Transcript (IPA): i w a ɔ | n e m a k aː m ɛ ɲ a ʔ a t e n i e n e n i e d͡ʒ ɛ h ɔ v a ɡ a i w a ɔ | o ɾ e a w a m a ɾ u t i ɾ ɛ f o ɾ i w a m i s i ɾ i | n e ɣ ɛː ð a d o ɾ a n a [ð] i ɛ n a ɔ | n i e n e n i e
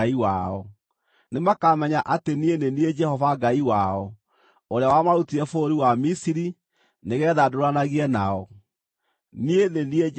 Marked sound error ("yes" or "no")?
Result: yes